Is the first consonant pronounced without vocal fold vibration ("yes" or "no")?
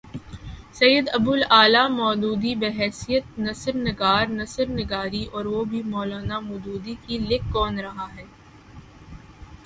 yes